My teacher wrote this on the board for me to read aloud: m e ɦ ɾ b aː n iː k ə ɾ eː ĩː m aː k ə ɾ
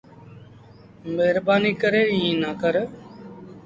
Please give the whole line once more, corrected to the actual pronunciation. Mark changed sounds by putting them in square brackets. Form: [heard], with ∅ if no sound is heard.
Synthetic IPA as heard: m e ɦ ɾ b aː n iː k ə ɾ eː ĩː [n] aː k ə ɾ